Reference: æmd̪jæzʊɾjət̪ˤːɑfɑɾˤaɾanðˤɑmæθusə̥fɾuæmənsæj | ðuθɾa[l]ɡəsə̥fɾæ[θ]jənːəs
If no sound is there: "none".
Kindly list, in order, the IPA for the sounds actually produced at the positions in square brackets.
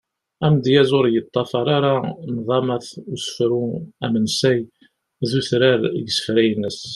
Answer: ɾ, none

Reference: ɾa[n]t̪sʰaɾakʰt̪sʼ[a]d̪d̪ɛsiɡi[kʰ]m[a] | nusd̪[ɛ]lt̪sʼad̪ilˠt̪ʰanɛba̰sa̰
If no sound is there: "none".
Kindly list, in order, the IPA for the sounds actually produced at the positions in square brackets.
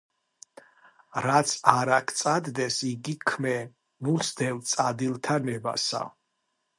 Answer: none, a, kʰ, ɛ, ɛ

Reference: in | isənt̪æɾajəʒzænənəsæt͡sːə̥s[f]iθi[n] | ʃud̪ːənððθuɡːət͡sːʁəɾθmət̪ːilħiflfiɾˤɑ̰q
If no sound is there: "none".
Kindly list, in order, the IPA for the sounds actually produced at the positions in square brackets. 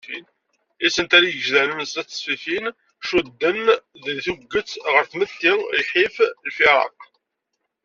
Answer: f, n

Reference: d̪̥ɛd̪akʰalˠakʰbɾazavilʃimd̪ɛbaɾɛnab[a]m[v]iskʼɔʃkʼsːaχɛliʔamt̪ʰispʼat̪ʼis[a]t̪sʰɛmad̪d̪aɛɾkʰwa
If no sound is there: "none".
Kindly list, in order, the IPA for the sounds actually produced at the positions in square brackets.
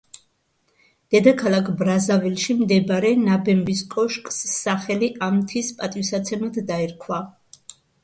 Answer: ɛ, b, a

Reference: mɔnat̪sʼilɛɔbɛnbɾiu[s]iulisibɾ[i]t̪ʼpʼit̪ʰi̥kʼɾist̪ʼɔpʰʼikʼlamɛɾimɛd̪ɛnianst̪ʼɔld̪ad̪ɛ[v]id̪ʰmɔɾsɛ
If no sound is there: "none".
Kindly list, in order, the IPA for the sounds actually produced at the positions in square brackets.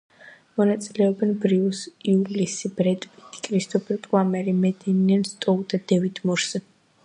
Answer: s, ɛ, v

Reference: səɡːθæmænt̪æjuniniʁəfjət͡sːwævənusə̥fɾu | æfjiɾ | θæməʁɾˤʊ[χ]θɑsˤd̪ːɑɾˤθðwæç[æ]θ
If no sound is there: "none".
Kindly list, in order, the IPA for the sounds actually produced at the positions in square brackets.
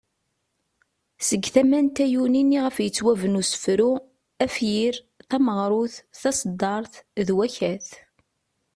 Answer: θ, æ

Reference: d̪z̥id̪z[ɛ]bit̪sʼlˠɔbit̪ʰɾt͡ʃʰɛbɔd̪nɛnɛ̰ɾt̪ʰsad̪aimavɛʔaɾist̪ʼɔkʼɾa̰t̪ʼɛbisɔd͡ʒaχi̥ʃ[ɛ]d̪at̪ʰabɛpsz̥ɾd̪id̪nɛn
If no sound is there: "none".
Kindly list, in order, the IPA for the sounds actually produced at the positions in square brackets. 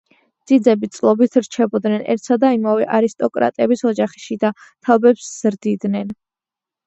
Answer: ɛ, i

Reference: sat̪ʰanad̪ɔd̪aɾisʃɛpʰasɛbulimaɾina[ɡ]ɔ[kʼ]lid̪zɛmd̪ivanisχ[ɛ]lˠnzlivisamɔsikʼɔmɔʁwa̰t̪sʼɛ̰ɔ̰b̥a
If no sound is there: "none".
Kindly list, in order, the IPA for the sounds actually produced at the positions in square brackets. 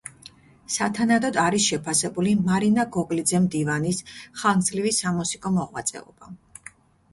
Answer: ɡ, kʼ, a

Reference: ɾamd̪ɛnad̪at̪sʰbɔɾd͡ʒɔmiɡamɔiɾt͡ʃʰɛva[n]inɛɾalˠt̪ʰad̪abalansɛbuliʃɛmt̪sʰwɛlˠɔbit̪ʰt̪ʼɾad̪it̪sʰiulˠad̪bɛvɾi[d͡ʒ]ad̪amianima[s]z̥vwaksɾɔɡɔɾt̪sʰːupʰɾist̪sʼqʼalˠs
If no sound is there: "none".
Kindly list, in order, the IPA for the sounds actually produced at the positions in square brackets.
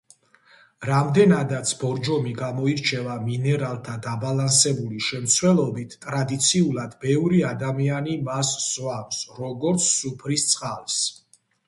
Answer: m, none, s

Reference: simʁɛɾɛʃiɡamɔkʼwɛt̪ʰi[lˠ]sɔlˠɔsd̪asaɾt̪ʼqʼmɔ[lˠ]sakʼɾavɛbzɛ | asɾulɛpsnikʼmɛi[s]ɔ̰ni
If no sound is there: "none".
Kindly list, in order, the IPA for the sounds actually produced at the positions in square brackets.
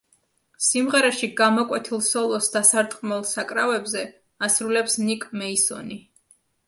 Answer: lˠ, lˠ, s

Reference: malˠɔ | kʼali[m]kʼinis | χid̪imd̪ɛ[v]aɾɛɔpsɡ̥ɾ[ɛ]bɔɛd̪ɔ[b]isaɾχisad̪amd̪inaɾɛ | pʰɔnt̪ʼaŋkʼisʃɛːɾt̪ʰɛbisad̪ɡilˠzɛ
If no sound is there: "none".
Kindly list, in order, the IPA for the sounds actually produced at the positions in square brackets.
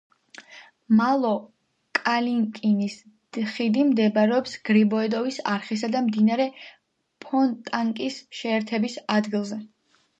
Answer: ŋ, b, i, v

